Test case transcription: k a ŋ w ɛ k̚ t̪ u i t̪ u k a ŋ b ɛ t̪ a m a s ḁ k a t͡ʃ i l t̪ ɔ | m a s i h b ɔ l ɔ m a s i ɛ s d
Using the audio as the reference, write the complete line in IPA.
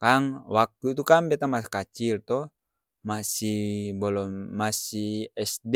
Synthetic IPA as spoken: k a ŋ w a k̚ t̪ u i t̪ u k a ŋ b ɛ t̪ a m a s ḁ k a t͡ʃ i l t̪ ɔ | m a s i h b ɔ l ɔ m a s i ɛ s d